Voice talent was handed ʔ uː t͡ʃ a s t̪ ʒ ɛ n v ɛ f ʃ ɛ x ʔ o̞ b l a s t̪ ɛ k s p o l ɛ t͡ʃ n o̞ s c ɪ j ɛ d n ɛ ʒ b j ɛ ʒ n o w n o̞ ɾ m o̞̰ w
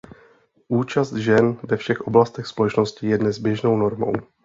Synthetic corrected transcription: ʔ uː t͡ʃ a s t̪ ʒ ɛ n v ɛ f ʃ ɛ x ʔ o̞ b l a s t̪ ɛ x s p o l ɛ t͡ʃ n o̞ s c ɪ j ɛ d n ɛ z b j ɛ ʒ n o w n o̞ ɾ m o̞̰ w